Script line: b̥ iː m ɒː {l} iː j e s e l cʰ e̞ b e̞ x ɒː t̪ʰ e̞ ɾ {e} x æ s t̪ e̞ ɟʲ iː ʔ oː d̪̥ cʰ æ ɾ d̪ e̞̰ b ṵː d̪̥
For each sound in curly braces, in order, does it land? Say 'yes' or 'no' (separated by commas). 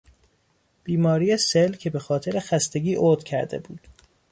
no, yes